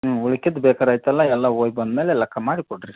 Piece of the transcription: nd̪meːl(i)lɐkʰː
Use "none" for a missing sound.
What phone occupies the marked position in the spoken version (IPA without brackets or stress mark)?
e